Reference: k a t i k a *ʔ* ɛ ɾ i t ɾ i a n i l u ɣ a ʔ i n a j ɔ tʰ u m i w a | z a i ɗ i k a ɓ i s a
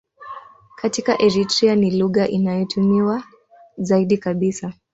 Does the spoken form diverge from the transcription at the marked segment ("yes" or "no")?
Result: no